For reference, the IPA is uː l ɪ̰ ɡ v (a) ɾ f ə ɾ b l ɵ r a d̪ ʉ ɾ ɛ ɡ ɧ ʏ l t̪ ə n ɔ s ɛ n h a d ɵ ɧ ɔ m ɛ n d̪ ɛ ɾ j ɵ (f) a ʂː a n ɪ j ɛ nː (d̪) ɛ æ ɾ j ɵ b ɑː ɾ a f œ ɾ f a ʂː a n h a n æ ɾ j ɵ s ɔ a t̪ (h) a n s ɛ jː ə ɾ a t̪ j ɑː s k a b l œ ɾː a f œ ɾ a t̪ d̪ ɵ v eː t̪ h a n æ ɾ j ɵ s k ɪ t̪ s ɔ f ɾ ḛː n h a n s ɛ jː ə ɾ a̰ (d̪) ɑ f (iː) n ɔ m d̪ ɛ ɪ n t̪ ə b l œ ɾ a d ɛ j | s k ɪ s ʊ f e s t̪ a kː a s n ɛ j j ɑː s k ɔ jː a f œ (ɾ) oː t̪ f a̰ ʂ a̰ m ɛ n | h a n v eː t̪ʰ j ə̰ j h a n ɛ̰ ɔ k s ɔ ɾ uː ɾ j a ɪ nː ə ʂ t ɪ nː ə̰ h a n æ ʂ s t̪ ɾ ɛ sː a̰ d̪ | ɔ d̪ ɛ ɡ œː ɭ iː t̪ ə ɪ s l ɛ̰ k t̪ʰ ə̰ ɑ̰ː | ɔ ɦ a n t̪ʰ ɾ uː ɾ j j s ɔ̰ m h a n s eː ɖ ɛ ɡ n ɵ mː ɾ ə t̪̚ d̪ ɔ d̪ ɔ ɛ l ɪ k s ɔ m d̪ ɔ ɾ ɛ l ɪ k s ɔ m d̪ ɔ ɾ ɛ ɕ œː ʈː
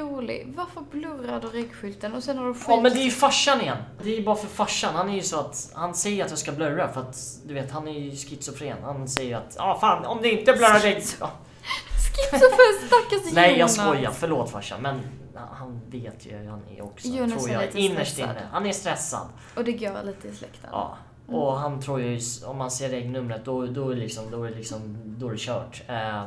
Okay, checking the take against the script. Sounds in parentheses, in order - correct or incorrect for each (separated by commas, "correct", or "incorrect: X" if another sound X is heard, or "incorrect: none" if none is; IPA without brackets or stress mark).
correct, correct, correct, correct, incorrect: t̪, incorrect: aː, incorrect: ɭ